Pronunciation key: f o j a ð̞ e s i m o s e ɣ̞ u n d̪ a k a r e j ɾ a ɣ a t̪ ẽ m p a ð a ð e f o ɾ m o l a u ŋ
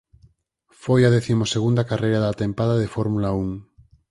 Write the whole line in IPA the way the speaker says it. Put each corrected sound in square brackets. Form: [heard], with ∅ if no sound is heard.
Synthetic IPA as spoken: f o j a ð̞ e [θ] i m o s e ɣ̞ u n d̪ a k a r e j ɾ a [ð] a t̪ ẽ m p a ð a ð e f o ɾ m [u] l a u ŋ